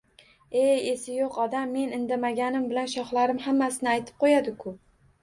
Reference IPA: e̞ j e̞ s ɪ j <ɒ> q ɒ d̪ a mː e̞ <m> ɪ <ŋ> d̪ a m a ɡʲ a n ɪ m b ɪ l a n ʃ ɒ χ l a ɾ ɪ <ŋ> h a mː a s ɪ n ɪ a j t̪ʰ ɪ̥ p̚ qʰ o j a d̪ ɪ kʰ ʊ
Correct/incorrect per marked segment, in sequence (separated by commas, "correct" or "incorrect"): incorrect, incorrect, incorrect, incorrect